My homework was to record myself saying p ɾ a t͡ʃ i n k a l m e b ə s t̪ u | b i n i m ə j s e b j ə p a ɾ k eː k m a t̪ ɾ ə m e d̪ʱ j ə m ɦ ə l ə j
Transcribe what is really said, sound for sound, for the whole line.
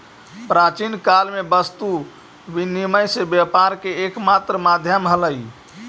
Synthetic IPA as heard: p ɾ a t͡ʃ i n k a l m e b ə s t̪ u | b i n i m ə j s e b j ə p a ɾ k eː k m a t̪ ɾ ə m a d̪ʱ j ə m ɦ ə l ə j